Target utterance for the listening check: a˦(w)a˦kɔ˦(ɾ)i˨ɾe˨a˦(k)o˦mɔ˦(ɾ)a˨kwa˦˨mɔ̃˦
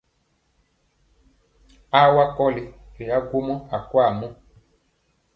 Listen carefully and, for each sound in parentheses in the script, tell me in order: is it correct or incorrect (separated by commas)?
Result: correct, incorrect, incorrect, incorrect